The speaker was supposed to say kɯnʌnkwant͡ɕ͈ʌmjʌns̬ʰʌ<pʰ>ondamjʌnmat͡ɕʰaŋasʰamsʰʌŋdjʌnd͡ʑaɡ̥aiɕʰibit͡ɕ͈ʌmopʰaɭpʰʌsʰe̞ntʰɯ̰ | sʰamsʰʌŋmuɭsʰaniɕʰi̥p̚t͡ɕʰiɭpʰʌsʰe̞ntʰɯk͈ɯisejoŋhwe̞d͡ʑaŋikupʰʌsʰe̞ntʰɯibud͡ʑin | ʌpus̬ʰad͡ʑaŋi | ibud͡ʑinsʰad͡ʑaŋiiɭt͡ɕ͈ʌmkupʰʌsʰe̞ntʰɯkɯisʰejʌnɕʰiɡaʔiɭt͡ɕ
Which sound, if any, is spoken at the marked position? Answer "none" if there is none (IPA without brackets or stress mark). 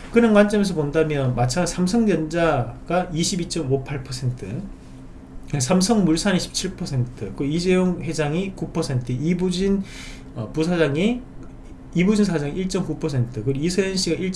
p